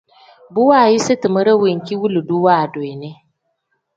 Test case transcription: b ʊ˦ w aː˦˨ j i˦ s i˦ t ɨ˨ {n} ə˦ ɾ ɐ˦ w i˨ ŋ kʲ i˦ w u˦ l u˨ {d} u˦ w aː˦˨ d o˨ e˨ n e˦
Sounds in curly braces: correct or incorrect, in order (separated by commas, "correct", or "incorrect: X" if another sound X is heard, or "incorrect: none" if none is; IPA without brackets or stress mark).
incorrect: m, correct